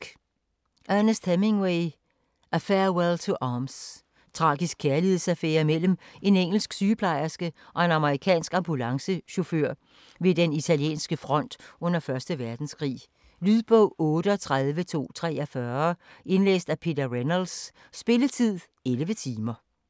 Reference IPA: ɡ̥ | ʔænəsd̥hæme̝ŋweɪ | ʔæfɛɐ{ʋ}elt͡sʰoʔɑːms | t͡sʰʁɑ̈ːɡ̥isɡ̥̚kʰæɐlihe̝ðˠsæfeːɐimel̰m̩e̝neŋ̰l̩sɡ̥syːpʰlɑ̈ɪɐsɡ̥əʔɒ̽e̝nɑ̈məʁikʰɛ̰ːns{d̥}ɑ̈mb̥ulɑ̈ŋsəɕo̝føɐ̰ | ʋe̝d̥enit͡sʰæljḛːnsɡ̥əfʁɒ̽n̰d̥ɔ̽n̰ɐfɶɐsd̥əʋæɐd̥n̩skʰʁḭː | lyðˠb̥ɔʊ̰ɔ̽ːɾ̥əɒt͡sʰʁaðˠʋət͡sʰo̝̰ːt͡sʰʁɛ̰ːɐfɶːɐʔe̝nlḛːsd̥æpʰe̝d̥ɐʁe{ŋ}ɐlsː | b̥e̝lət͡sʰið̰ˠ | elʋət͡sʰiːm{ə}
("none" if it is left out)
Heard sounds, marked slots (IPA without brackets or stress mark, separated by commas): w, ɡ̥, n, ɐ